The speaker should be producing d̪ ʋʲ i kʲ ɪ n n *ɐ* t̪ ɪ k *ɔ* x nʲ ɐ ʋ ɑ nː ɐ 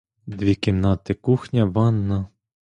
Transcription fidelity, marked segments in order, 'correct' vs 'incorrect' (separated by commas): incorrect, incorrect